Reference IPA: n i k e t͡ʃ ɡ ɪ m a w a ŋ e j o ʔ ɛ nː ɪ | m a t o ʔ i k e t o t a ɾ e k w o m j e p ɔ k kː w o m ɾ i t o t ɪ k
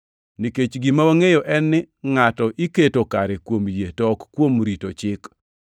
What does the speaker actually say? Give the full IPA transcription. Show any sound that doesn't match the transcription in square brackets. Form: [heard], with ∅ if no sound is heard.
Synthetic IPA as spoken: n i k e t͡ʃ ɡ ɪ m a w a ŋ e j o ʔ ɛ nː ɪ | [ŋ] a t [ɔ] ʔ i k e t o [k] a ɾ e k w o m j e [t] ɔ k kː w o m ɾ i t o [t͡ʃ] ɪ k